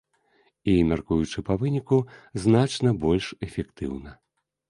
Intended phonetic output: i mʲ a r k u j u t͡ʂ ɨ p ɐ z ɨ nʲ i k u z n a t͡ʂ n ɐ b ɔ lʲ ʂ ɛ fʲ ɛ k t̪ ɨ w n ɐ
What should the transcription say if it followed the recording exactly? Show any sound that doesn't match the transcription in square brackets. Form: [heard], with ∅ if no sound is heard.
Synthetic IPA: i mʲ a r k u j u t͡ʂ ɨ p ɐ [v] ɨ nʲ i k u z n a t͡ʂ n ɐ b ɔ lʲ ʂ ɛ fʲ ɛ k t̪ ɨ w n ɐ